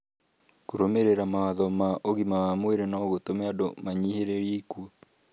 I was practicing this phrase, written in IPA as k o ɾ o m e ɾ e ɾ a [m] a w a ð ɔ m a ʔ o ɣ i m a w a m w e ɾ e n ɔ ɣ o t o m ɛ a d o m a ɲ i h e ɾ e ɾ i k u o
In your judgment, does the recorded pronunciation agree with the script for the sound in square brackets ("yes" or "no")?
yes